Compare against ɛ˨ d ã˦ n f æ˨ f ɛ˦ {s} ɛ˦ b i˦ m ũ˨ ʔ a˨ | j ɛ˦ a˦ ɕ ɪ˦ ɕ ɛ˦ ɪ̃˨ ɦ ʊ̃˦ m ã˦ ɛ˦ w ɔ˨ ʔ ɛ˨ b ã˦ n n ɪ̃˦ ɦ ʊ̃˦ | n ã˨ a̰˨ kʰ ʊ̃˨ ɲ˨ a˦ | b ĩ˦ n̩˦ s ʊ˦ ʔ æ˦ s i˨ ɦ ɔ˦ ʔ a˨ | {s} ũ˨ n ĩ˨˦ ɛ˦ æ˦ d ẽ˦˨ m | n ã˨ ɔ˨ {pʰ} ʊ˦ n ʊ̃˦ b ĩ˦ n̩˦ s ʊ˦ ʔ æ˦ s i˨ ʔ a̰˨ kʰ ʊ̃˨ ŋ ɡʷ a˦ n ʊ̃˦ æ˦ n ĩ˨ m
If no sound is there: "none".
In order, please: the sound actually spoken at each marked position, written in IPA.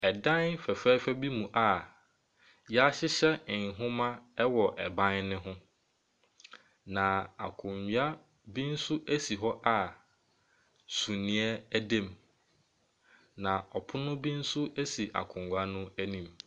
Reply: f, s, pʰ

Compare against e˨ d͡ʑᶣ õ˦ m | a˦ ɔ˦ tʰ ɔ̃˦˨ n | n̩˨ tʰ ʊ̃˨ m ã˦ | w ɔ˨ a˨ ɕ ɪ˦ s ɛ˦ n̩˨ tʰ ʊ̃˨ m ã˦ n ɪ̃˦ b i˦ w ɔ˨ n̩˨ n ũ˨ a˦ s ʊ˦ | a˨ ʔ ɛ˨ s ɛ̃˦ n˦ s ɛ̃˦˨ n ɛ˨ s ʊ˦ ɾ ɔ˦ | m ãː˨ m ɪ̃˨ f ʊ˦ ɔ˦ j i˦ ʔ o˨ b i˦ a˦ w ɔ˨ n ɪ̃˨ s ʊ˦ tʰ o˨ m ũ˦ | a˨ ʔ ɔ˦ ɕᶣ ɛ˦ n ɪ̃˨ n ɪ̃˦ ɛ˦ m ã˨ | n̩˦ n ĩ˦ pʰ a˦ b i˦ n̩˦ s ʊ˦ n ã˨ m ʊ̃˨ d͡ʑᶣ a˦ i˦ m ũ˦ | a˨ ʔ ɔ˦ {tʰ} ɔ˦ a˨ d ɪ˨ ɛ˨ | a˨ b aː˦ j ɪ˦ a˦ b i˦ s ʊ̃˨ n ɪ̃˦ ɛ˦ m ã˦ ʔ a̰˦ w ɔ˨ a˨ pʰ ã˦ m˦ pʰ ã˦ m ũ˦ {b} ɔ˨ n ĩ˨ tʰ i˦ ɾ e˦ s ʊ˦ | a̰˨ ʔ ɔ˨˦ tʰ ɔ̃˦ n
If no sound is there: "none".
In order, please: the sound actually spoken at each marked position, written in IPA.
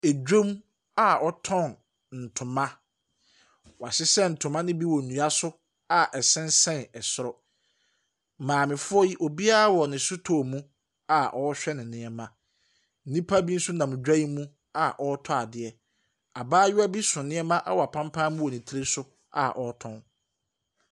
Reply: tʰ, w

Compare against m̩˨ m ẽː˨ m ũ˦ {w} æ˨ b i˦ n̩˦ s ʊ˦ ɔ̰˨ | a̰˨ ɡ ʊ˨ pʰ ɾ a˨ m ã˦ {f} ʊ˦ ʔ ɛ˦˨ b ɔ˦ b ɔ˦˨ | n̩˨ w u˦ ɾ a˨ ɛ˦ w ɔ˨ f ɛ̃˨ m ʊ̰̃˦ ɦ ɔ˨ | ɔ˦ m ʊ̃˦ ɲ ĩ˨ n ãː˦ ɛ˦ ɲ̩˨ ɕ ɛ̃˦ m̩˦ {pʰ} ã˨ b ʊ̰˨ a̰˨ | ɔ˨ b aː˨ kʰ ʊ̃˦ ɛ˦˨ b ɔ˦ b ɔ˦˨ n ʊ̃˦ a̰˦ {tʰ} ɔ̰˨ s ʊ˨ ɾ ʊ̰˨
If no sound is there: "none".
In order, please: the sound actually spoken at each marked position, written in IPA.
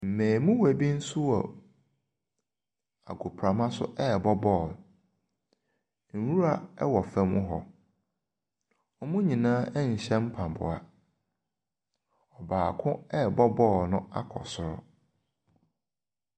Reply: w, s, pʰ, kʰ

